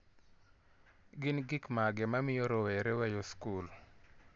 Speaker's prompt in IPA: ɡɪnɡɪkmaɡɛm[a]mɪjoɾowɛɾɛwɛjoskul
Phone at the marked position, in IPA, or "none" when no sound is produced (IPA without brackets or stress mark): a